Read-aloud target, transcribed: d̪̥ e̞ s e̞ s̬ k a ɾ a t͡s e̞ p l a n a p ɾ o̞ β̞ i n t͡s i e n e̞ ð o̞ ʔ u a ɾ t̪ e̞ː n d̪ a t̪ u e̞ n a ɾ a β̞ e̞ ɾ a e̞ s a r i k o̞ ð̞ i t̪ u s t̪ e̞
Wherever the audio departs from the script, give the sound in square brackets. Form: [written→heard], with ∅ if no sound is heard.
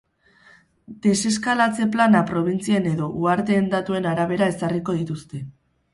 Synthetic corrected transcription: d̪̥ e̞ s e̞ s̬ k a [ɾ→l] a t͡s e̞ p l a n a p ɾ o̞ β̞ i n t͡s i e n e̞ ð o̞ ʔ u a ɾ t̪ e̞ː n d̪ a t̪ u e̞ n a ɾ a β̞ e̞ ɾ a e̞ s a r i k o̞ ð̞ i t̪ u s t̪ e̞